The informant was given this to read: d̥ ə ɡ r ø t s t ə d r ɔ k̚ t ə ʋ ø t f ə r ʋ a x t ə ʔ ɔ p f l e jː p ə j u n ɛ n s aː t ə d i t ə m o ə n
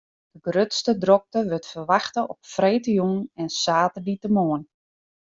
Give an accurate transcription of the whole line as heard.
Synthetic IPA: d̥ ə ɡ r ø t s t ə d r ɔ k̚ t ə ʋ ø t f ə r ʋ a x t ə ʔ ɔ p f r e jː t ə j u n ɛ n s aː t ə d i t ə m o ə n

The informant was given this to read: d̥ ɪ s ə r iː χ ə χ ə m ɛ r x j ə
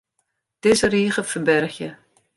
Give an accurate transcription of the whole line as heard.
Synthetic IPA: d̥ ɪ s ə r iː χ ə f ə b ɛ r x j ə

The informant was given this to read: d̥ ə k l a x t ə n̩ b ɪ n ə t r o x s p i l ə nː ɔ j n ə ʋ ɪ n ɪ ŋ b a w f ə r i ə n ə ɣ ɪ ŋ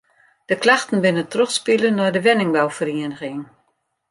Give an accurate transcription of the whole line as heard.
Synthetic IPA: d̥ ə k l a x t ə n̩ b ɪ n ə t r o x s p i l ə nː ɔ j d ə ʋ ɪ n ɪ ŋ b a w f ə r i ə n ə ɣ ɪ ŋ

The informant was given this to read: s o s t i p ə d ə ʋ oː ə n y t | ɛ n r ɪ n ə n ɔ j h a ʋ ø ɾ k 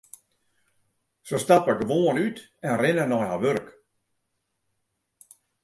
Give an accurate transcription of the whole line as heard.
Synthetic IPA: s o s t a p ə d ə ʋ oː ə n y t | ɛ n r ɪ n ə n ɔ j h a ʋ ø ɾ k

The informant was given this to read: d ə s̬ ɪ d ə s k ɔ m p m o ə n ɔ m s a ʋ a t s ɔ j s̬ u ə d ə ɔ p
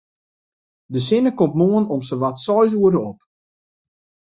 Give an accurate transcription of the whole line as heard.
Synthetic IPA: d ə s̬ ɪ n ə k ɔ m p m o ə n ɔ m s ə ʋ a t s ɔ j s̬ u ə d ə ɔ p

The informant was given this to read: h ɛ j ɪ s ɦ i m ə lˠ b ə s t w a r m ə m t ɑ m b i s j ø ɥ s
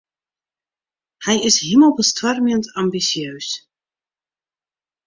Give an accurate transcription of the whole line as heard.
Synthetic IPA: h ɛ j ɪ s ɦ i m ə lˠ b ə s t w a r m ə n t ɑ m b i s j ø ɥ s

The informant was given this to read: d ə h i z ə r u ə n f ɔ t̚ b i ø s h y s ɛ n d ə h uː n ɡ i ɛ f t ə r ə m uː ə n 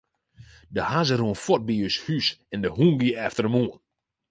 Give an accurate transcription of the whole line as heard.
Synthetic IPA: d ə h a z ə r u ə n f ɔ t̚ b i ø s h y s ɛ n d ə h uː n ɡ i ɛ f t ə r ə m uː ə n

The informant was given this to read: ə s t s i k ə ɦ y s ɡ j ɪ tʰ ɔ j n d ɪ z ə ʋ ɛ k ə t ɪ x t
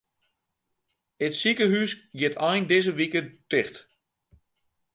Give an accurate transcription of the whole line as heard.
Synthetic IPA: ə t s i k ə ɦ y s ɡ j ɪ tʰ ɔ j n d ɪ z ə ʋ i k ə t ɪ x t

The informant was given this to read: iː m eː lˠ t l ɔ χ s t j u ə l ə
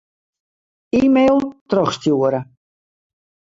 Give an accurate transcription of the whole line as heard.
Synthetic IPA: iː m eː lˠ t r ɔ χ s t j u ə ɾ ə

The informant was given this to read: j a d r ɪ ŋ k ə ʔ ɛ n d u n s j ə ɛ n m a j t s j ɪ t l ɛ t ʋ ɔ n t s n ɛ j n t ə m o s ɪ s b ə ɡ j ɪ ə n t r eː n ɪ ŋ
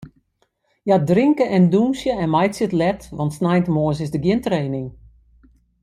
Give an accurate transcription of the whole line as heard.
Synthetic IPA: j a d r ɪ ŋ k ə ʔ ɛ n d u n s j ə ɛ n m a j t s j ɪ t l ɛ t ʋ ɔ n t s n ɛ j n t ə m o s ɪ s d ə ɡ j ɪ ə n t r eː n ɪ ŋ

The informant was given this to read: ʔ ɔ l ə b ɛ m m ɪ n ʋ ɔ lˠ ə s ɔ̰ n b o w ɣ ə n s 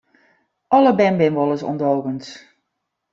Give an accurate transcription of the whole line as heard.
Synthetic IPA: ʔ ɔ l ə b ɛ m b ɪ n ʋ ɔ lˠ ə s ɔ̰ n d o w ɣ ə n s

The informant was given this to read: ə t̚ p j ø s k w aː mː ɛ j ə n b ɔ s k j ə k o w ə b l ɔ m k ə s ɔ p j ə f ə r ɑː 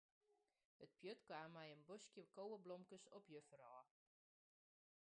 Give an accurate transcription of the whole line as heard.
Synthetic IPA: ə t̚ p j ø t k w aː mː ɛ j ə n b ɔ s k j ə k o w ə b l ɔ m k ə s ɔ p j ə f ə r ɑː

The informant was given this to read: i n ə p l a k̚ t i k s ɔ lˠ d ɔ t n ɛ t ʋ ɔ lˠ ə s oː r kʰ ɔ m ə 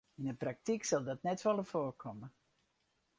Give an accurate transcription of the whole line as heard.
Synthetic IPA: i n ə p r a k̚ t i k s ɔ lˠ d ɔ t n ɛ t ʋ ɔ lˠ ə f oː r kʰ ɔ m ə

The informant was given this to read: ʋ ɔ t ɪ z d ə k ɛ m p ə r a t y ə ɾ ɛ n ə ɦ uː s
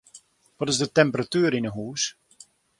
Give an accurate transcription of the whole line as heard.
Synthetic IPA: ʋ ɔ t ɪ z d ə t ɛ m p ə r a t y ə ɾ i n ə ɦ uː s

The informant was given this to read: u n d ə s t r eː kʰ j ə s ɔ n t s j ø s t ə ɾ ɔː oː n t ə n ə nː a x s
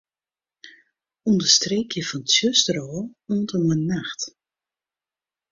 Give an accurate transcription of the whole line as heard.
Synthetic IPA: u n d ə s t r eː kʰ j ə f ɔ n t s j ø s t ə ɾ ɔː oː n t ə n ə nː a x t

